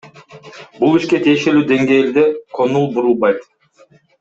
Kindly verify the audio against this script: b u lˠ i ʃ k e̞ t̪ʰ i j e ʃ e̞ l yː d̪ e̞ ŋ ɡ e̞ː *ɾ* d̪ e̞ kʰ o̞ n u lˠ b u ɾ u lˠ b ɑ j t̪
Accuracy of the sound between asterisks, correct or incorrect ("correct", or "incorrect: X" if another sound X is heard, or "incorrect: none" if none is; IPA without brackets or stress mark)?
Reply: incorrect: l